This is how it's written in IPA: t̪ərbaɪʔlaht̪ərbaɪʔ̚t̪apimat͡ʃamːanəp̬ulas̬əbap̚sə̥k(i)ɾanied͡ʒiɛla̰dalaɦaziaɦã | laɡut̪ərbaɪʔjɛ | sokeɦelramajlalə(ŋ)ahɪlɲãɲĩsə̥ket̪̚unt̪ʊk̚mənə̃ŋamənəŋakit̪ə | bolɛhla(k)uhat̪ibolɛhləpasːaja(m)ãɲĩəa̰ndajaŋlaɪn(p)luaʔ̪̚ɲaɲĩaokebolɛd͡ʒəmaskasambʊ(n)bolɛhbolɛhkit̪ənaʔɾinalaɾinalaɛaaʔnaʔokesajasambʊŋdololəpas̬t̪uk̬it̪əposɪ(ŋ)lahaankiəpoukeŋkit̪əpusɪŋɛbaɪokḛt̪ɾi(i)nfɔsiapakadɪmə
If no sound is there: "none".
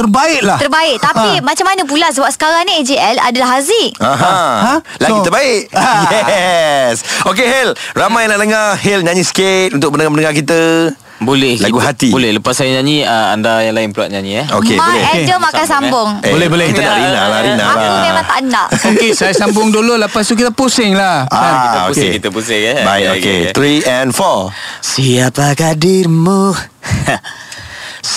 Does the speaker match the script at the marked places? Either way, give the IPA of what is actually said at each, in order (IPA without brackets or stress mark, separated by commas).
a, ŋ, ɡ, ɲ, p, ŋ, ŋ, ɛ